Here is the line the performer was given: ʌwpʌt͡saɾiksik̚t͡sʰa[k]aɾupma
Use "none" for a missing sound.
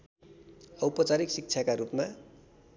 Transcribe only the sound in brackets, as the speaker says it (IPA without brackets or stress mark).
k